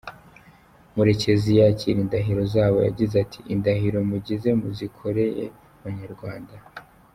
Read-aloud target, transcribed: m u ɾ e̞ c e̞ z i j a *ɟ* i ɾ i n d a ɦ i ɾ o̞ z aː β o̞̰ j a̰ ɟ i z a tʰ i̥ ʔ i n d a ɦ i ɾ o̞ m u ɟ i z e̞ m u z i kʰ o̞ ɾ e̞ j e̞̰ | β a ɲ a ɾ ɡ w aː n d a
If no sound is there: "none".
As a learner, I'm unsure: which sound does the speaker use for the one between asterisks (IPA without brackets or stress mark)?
c